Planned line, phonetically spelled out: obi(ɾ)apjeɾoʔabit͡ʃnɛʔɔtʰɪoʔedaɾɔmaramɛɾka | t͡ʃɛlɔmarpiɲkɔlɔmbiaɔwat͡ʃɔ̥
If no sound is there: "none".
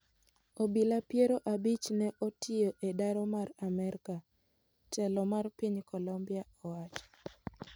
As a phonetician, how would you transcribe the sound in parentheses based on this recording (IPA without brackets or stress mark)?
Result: l